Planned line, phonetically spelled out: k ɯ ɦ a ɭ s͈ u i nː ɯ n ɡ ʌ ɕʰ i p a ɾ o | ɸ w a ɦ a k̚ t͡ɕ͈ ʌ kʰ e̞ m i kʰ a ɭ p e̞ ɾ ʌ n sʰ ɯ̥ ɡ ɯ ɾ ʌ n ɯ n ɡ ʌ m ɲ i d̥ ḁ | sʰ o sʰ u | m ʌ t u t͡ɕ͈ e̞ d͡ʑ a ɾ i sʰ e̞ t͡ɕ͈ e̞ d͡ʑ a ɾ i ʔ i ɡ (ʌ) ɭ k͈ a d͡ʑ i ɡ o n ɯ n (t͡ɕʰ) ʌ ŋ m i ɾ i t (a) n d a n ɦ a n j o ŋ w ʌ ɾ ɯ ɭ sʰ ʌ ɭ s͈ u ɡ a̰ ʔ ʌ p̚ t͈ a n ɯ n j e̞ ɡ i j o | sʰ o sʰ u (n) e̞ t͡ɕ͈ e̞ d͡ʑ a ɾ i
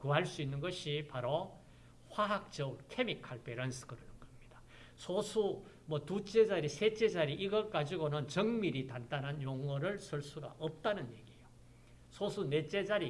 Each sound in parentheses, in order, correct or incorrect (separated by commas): correct, incorrect, correct, correct